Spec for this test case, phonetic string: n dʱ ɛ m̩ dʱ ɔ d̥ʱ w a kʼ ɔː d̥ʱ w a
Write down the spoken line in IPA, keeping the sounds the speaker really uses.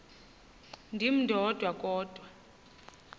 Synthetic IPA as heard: n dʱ i m̩ dʱ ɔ d̥ʱ w a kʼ ɔː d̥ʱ w a